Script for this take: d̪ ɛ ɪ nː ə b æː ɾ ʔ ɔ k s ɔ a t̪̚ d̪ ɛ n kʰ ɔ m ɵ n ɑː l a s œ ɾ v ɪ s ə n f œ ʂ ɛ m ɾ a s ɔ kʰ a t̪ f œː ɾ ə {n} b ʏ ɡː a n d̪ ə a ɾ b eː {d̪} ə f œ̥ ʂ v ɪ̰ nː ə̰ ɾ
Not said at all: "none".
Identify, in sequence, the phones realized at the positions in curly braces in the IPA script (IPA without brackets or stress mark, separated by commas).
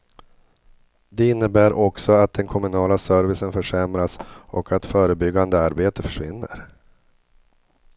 none, t̪